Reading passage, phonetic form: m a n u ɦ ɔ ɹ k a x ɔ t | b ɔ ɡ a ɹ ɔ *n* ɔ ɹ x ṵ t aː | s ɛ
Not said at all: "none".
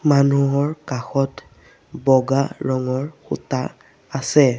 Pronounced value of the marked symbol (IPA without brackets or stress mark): ŋ